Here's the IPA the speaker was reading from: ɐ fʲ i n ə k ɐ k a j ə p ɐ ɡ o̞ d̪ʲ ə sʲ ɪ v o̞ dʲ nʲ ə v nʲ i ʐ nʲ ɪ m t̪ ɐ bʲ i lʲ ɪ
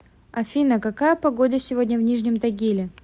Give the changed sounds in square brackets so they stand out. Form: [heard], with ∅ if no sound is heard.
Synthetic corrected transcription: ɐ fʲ i n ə k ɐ k a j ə p ɐ ɡ o̞ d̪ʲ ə sʲ ɪ v o̞ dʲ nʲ ə v nʲ i ʐ nʲ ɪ m t̪ ɐ [ɡʲ] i lʲ ɪ